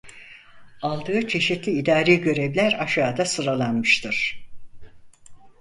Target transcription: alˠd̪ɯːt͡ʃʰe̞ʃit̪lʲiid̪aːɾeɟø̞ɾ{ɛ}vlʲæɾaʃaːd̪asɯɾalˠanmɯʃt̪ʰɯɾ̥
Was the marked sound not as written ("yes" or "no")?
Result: yes